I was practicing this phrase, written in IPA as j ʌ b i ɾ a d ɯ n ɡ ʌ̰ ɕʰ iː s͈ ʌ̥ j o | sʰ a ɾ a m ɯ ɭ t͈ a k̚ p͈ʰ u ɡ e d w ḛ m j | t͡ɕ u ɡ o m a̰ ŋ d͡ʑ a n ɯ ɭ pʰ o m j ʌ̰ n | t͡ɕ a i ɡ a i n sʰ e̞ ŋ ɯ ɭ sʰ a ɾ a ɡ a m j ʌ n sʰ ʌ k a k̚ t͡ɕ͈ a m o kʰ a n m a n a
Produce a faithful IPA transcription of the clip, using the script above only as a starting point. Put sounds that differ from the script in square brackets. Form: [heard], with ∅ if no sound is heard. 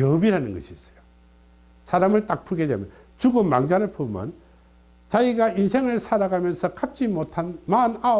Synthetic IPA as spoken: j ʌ b i ɾ a [n] ɯ n ɡ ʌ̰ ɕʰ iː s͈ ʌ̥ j o | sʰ a ɾ a m ɯ ɭ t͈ a k̚ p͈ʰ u ɡ e d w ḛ m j | t͡ɕ u ɡ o m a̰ ŋ d͡ʑ a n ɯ ɭ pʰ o m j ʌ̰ n | t͡ɕ a i ɡ a i n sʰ e̞ ŋ ɯ ɭ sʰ a ɾ a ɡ a m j ʌ n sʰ ʌ k a [p̚] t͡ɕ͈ [i] m o [tʰ] a n m a n a